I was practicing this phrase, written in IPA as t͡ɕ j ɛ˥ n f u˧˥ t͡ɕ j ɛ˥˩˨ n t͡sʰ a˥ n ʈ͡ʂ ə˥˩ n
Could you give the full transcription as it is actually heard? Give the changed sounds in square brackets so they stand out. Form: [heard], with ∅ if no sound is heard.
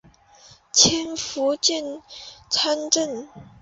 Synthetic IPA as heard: [t͡ɕʰ] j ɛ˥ n f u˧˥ t͡ɕ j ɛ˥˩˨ n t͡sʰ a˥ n ʈ͡ʂ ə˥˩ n